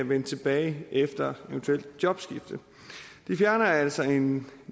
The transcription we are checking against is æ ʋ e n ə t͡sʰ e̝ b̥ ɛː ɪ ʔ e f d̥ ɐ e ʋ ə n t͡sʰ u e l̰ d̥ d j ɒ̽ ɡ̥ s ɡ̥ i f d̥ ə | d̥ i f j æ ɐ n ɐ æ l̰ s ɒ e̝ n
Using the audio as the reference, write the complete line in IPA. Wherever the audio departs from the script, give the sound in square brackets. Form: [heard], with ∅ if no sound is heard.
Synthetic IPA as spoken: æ ʋ e n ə t͡sʰ e̝ b̥ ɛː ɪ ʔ e f d̥ ɐ e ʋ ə n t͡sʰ u e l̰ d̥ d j ɒ̽ [b̥] s ɡ̥ i f d̥ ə | d̥ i f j æ ɐ n ɐ æ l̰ s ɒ e̝ n